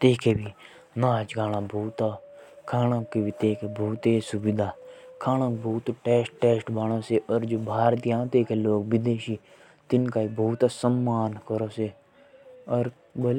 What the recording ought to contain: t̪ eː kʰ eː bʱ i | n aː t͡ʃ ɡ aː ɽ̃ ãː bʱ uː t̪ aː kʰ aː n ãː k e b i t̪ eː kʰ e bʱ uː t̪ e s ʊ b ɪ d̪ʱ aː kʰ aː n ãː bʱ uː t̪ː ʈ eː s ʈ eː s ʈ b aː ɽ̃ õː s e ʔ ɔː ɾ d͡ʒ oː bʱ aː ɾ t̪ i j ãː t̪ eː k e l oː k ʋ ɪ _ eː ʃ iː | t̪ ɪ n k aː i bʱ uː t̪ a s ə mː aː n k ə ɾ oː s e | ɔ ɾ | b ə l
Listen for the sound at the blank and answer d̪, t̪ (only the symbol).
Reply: d̪